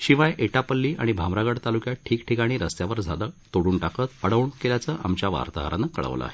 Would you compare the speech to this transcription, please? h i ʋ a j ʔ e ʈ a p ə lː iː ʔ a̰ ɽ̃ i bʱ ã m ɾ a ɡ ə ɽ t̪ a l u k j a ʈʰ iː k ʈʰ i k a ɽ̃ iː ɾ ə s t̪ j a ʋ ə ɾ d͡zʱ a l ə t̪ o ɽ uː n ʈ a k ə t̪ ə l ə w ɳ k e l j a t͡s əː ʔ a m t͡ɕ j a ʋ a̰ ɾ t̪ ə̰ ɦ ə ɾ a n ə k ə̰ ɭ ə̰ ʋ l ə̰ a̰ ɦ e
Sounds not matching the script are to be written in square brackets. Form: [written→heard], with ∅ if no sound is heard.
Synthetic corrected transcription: [h→ɕ] i ʋ a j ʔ e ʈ a p ə lː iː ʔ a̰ ɽ̃ i bʱ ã m ɾ a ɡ ə ɽ t̪ a l u k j a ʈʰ iː k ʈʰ i k a ɽ̃ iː ɾ ə s t̪ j a ʋ ə ɾ d͡zʱ a l ə t̪ o ɽ uː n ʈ a k ə t̪ ə [l→ɽ] ə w ɳ k e l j a t͡s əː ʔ a m t͡ɕ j a ʋ a̰ ɾ t̪ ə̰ ɦ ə ɾ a n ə k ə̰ ɭ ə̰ ʋ l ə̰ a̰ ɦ e